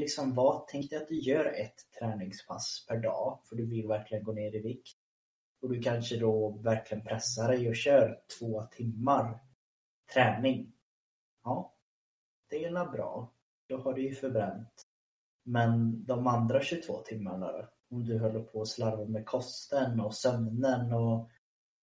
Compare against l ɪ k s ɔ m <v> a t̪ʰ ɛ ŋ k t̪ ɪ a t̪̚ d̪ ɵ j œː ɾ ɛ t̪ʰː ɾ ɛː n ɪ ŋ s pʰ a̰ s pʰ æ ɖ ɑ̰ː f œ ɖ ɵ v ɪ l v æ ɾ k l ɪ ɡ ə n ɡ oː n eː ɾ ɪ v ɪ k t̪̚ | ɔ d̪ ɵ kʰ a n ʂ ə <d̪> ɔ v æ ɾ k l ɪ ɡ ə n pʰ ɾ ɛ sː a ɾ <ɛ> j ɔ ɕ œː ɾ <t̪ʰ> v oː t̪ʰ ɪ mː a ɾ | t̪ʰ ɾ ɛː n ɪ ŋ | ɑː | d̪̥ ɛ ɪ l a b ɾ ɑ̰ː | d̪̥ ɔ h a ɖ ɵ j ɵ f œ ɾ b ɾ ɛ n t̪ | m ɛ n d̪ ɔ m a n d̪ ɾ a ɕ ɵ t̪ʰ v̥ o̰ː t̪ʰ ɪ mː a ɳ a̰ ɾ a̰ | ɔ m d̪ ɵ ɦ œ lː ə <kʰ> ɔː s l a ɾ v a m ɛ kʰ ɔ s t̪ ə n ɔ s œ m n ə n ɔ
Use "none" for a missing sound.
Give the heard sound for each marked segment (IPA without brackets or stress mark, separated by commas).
v, d̪, ɛ, t̪ʰ, pʰ